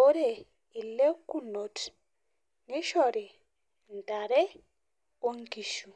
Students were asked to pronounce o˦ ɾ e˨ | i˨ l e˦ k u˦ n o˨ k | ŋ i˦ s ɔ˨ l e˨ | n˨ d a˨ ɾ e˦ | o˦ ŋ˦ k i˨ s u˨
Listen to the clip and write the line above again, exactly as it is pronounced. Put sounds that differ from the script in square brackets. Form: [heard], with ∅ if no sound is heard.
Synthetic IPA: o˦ ɾ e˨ | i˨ l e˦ k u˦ n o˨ [t] | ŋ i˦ [ʃ] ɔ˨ [ɾ] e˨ | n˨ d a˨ ɾ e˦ | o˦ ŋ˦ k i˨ [ʃ] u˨